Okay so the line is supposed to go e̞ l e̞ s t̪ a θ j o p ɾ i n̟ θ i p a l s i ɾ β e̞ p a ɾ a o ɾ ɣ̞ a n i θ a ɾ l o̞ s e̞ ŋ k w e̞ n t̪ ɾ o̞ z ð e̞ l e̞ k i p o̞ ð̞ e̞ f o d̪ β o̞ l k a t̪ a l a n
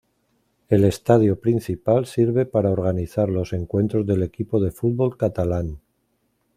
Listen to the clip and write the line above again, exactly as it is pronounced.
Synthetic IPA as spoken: e̞ l e̞ s t̪ a ð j o p ɾ i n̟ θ i p a l s i ɾ β e̞ p a ɾ a o ɾ ɣ̞ a n i θ a ɾ l o̞ s e̞ ŋ k w e̞ n t̪ ɾ o̞ z ð e̞ l e̞ k i p o̞ ð̞ e̞ f u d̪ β o̞ l k a t̪ a l a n